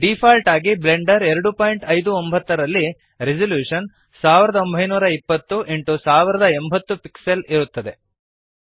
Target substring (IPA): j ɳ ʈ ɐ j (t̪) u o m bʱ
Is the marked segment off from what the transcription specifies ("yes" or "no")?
yes